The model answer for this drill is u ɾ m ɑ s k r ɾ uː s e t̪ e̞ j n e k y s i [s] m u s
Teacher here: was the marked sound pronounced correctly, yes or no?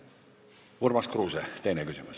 no